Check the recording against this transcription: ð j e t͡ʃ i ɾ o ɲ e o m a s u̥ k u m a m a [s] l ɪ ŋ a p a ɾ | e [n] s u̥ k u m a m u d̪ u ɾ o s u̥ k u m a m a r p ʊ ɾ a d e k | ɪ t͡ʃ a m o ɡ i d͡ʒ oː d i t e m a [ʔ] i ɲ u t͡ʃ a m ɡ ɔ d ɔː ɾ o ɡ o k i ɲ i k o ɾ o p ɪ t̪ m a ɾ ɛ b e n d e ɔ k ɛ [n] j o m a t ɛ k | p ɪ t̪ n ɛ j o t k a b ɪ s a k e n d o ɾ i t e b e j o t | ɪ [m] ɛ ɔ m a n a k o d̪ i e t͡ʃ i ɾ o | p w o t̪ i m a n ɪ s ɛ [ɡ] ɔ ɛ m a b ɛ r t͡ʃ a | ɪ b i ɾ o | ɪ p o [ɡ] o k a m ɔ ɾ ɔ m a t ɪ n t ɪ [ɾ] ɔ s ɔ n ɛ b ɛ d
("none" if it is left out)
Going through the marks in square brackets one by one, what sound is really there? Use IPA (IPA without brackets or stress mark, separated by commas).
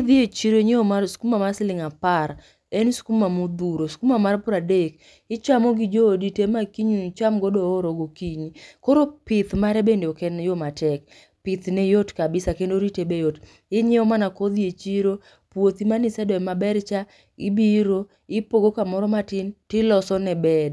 s, n, k, n, ɲ, d, ɡ, l